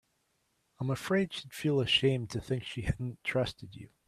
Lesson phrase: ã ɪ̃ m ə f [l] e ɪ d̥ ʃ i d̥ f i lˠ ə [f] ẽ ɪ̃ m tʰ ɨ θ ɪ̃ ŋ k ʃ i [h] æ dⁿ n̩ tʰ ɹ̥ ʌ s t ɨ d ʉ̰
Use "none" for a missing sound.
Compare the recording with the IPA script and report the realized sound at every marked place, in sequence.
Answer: ɹ, ʃ, h

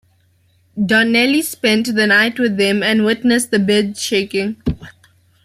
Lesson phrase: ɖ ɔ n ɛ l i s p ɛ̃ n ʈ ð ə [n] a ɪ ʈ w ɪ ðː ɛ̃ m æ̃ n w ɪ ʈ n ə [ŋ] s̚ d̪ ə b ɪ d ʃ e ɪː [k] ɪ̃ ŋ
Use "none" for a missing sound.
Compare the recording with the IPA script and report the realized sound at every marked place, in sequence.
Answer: n, none, k

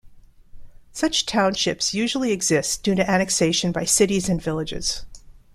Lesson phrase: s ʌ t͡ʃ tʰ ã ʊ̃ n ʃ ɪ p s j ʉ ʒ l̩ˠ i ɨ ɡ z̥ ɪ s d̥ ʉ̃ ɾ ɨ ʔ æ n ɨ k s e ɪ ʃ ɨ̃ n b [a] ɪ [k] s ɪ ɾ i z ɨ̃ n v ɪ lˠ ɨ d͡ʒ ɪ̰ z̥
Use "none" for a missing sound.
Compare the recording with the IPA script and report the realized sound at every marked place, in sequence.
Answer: a, none

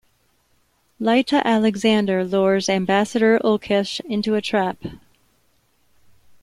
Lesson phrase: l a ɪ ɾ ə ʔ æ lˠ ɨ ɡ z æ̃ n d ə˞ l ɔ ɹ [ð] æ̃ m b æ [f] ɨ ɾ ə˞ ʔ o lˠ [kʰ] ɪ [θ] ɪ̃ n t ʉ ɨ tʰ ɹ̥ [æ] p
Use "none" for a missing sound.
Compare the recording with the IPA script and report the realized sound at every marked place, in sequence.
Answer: z, s, kʰ, ʃ, æ

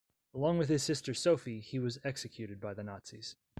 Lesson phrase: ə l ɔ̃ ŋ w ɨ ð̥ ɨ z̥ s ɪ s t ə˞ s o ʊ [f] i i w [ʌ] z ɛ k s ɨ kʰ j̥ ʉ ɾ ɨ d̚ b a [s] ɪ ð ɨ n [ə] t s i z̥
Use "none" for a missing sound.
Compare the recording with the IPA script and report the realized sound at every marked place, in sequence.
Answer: f, ʌ, none, ɑ

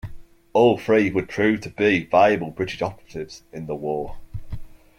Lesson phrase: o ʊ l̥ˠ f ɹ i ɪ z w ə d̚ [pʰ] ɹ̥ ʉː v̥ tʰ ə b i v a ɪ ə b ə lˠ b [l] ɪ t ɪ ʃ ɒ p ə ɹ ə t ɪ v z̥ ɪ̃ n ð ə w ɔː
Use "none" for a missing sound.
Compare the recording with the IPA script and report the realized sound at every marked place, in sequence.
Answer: pʰ, ɹ

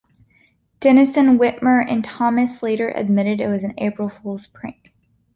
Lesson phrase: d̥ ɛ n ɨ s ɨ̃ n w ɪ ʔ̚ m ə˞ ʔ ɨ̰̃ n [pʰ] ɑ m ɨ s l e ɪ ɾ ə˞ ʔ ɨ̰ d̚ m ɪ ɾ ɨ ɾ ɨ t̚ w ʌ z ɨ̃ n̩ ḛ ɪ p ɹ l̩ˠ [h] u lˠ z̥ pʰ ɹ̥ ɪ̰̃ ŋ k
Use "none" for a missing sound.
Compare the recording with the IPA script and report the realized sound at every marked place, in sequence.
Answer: tʰ, f

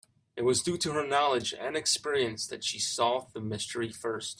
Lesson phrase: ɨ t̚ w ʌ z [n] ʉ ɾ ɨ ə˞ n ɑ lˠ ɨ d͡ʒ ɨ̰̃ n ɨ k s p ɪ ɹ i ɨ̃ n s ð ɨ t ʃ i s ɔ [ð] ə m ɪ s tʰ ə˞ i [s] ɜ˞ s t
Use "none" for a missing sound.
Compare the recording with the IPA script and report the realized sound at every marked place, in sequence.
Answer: d, ð, f

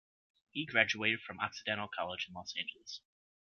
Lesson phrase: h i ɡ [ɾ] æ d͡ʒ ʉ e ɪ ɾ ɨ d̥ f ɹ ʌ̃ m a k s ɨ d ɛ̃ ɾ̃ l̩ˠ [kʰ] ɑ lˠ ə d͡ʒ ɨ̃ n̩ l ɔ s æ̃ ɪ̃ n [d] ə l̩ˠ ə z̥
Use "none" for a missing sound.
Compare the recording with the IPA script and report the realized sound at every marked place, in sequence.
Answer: ɹ, kʰ, d͡ʒ

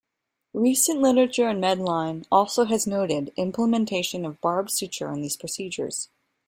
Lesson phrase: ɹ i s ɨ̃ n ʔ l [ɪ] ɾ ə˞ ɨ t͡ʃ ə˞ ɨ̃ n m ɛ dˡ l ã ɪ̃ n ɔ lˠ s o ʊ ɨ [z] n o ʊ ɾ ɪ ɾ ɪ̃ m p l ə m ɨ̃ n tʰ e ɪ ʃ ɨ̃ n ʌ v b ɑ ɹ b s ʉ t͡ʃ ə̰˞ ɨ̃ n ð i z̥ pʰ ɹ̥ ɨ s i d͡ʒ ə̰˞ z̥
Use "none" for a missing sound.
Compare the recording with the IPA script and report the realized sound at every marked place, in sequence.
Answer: ɪ, z

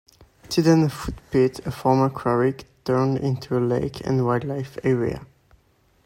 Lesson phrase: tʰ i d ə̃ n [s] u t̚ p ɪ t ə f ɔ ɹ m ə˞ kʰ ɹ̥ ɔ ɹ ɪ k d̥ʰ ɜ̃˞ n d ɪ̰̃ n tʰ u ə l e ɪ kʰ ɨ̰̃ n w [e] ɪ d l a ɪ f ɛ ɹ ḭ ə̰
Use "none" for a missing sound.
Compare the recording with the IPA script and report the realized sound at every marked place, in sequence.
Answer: f, a

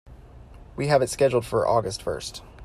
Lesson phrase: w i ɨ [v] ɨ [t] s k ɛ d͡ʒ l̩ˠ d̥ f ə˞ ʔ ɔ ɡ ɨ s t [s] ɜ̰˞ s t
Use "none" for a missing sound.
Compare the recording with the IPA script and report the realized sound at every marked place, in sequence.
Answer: v, t, f

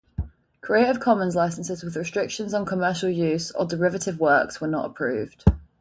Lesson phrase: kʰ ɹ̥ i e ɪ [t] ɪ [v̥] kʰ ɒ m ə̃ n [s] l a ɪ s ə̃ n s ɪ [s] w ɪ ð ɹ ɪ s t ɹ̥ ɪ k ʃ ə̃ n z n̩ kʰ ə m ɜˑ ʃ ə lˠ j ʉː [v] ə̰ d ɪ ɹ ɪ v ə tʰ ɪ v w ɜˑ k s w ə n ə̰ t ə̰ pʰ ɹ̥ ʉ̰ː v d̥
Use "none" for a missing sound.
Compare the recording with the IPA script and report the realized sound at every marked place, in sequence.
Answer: t, v̥, z, z, z

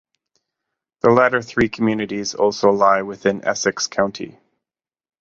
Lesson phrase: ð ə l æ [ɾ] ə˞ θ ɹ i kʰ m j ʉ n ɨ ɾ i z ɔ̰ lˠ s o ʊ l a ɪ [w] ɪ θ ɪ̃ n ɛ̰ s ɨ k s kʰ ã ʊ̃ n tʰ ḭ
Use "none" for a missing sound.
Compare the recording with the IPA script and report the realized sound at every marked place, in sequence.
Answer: ɾ, w

